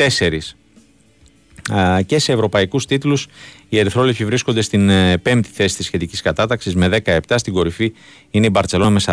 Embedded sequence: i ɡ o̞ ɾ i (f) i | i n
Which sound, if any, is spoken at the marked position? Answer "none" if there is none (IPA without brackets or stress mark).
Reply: f